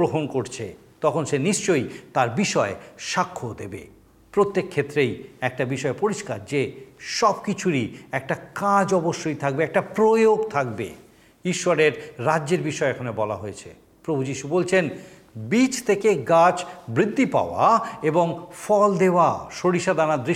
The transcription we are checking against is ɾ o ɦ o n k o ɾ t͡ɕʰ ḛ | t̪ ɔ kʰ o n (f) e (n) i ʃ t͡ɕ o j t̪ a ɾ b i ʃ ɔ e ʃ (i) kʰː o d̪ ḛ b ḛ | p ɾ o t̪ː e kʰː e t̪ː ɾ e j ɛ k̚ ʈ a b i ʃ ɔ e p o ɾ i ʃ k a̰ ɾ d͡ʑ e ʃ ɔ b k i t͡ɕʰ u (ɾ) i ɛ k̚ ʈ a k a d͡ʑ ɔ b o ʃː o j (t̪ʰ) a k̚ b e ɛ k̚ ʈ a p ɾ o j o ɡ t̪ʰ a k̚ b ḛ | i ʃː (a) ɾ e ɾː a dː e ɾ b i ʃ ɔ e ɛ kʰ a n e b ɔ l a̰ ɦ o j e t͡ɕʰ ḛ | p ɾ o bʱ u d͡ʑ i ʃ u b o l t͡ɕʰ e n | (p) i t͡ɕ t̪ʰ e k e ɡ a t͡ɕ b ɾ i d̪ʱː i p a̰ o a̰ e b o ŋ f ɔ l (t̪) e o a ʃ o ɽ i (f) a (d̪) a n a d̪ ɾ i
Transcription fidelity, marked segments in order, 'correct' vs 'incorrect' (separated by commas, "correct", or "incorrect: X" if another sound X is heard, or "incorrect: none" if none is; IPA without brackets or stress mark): incorrect: ʃ, correct, incorrect: a, correct, correct, correct, incorrect: b, incorrect: d̪, incorrect: ʃ, correct